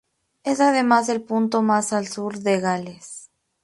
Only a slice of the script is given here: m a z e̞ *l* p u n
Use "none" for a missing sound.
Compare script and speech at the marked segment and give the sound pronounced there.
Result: l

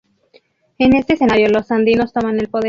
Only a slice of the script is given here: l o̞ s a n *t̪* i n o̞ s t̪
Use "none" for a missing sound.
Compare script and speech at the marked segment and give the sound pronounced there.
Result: d̪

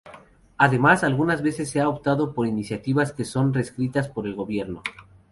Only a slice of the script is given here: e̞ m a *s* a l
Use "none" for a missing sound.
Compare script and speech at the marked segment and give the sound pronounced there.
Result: s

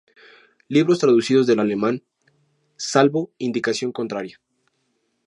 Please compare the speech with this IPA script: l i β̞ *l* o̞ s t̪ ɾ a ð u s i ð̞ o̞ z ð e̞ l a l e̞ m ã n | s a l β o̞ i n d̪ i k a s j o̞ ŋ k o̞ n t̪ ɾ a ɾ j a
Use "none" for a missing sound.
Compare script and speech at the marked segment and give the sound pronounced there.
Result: ɾ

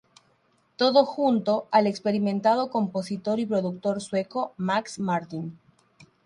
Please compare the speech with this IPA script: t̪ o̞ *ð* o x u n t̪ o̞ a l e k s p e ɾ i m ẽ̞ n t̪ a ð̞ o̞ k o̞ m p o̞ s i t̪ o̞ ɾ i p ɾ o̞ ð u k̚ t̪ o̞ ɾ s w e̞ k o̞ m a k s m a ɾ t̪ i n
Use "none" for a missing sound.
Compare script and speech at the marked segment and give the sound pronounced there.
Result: ð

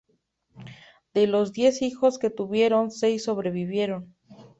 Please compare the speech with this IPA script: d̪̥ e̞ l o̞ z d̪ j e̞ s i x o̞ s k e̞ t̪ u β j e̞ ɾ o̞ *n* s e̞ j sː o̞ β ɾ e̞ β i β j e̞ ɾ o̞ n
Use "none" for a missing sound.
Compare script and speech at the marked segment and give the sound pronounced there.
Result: n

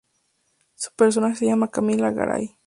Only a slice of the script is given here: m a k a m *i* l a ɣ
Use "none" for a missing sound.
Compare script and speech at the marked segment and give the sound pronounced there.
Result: i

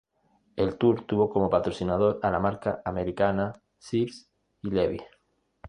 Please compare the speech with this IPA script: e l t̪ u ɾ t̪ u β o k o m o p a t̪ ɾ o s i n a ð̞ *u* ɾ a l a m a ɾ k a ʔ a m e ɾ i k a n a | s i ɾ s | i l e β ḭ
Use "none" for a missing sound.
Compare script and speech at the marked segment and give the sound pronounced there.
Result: o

